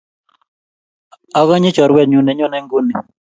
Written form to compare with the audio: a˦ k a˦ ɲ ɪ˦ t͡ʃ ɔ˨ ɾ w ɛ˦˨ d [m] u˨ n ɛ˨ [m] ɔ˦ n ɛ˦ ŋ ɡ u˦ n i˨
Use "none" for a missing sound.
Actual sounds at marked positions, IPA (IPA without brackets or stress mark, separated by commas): ɲ, ɲ